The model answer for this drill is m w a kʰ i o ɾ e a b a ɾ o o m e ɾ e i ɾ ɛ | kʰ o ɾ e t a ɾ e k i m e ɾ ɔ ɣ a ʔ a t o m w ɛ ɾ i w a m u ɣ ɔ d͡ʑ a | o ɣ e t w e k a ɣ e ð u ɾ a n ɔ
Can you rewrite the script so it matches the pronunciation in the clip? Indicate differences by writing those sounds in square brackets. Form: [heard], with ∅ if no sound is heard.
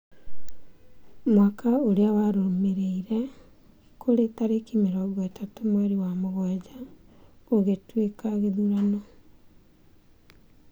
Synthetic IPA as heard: m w a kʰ [a] o ɾ e a [w] a ɾ o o m e ɾ e i ɾ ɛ | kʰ o ɾ e t a ɾ e k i m e ɾ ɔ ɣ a [t] a t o m w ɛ ɾ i w a m [o] ɣ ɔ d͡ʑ a | o ɣ e t w e k a ɣ e ð u ɾ a n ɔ